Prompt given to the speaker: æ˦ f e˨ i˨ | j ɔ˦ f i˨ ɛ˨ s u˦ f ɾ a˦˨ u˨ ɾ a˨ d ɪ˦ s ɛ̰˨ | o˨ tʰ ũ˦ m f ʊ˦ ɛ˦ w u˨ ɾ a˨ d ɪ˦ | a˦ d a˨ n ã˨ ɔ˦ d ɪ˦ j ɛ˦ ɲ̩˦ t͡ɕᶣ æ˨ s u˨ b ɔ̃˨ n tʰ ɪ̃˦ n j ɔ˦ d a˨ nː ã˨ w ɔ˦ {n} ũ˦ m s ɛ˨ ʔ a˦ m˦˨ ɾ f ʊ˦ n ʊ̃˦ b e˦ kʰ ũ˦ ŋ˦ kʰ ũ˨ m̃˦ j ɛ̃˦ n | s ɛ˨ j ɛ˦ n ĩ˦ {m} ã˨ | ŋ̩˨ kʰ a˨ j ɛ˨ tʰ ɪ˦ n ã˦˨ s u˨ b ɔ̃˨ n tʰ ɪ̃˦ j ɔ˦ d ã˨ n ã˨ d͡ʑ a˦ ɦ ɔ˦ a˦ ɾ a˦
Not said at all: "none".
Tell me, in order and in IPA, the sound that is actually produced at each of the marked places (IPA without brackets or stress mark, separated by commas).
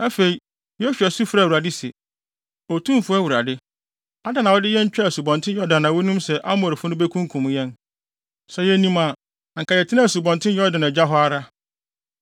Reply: n, m